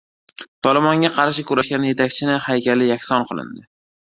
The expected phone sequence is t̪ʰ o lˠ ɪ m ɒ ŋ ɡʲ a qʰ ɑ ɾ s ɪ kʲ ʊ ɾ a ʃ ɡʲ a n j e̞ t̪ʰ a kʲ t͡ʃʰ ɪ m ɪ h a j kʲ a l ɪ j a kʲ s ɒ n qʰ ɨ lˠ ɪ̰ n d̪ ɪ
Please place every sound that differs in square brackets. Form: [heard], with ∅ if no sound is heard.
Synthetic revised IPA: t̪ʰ [ɒ] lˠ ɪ m ɒ ŋ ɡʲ a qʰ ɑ ɾ [ʃ] ɪ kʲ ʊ ɾ a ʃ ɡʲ a n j e̞ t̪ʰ a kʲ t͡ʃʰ ɪ [n] ɪ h a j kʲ a l ɪ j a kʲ s ɒ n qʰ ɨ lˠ ɪ̰ n d̪ ɪ